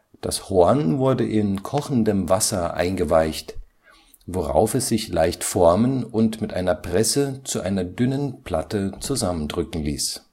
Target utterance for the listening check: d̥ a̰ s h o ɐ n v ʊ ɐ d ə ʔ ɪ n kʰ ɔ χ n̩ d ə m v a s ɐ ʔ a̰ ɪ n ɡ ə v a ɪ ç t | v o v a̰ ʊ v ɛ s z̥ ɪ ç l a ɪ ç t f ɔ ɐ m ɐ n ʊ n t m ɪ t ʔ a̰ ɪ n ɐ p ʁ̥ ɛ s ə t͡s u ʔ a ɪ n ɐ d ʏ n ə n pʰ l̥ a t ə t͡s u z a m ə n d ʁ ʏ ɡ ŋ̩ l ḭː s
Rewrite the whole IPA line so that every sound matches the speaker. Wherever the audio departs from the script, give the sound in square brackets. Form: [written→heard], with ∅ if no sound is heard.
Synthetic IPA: d̥ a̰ s h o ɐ n v ʊ ɐ d ə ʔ ɪ n kʰ ɔ χ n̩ d ə m v a s ɐ ʔ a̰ ɪ n ɡ ə v a ɪ ç t | v o [v→ʁ] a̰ ʊ [v→f] ɛ s z̥ ɪ ç l a ɪ ç t f ɔ ɐ m [ɐ→ə] n ʊ n t m ɪ t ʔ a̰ ɪ n ɐ p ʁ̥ ɛ s ə t͡s u ʔ a ɪ n ɐ d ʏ n ə n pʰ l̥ a t ə t͡s u z a m ə n d ʁ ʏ [ɡ→k] ŋ̩ l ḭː s